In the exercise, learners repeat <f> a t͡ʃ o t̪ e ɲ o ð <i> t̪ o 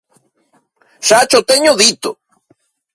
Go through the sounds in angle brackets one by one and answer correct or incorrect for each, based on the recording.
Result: incorrect, correct

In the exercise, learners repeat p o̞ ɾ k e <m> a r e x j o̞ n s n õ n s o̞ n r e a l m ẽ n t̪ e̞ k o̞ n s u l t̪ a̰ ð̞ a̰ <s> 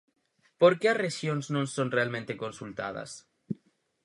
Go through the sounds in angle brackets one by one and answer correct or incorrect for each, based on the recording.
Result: incorrect, correct

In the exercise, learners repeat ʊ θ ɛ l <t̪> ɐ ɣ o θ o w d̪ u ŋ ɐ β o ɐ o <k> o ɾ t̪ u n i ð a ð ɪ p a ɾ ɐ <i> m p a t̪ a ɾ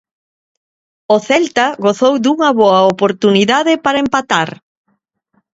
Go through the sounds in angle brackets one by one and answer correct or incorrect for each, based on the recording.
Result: correct, incorrect, incorrect

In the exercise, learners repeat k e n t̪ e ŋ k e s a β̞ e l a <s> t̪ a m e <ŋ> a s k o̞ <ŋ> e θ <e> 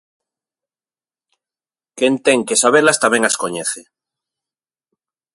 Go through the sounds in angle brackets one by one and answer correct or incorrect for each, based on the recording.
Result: correct, correct, incorrect, correct

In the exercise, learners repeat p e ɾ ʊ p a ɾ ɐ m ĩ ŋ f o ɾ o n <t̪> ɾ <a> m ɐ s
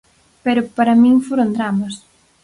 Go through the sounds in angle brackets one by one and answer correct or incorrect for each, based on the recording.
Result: incorrect, correct

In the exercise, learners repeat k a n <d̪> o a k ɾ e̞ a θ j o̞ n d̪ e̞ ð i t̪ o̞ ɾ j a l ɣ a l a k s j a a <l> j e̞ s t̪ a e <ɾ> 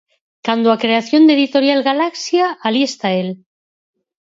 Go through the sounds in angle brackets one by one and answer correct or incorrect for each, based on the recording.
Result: correct, correct, incorrect

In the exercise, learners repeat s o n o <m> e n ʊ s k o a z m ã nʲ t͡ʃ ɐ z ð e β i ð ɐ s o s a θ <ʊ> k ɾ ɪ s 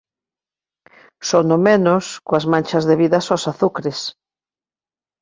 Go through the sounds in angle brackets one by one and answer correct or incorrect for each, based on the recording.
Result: correct, incorrect

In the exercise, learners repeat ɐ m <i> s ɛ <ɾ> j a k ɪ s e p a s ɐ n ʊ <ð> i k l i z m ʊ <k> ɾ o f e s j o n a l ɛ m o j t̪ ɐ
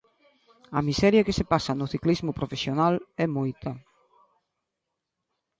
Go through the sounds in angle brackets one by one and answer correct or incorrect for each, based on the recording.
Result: correct, correct, incorrect, incorrect

